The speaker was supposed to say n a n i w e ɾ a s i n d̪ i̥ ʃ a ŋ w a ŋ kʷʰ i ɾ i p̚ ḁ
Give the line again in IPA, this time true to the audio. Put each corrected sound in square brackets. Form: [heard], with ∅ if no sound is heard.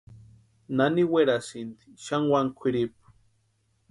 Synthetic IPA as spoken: n a n i w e ɾ a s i n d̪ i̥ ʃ a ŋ w a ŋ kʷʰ i ɾ i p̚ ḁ